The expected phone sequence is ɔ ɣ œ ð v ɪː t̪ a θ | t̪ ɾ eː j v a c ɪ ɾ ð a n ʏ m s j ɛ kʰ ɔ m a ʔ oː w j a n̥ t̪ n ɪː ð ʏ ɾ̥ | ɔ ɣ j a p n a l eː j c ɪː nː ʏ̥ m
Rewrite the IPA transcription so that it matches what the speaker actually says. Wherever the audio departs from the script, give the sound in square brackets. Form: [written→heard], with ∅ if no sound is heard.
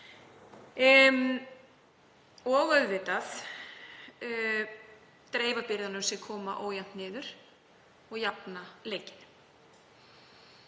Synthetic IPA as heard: ɔ ɣ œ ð v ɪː t̪ a θ | t̪ ɾ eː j v a [c→p] ɪ ɾ ð a n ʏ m s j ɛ kʰ [ɔ→ɔː] m a ʔ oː w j a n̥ t̪ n ɪː ð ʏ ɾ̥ | ɔ ɣ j a p n a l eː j c [ɪː→ɪ] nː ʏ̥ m